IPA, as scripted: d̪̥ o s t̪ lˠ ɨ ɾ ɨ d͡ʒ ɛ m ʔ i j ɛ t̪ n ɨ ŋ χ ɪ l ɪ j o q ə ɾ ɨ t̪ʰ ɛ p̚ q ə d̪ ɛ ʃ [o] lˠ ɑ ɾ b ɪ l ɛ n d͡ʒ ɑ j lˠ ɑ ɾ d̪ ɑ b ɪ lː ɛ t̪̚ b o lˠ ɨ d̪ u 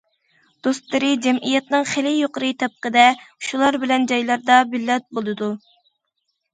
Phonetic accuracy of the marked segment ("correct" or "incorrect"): incorrect